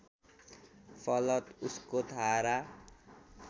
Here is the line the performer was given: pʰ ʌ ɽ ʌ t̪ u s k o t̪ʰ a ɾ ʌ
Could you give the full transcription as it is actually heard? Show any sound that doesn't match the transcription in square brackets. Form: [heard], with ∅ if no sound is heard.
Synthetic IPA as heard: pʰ ʌ [l] ʌ t̪ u s k o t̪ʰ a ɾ [a]